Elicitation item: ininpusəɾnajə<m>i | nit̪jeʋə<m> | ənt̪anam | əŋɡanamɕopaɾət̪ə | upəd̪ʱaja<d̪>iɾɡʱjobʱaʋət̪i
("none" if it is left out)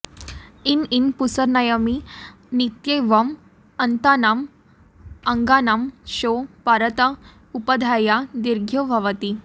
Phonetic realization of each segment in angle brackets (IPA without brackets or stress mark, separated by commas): m, m, d̪